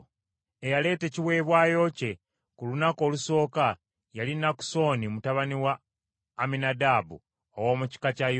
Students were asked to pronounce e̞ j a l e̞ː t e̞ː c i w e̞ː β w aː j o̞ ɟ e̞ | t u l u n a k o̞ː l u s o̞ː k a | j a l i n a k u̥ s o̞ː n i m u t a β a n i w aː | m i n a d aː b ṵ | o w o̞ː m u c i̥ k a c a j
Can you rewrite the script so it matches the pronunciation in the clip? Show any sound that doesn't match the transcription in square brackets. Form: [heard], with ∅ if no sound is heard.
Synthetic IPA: e̞ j a l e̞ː t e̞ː c i w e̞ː β w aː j o̞ [c] e̞ | [k] u l u n a k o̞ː l u s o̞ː k a | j a l i n a k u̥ s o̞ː n i m u t a β a n i w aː | m i n a d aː b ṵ | o w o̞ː m u c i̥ k a c a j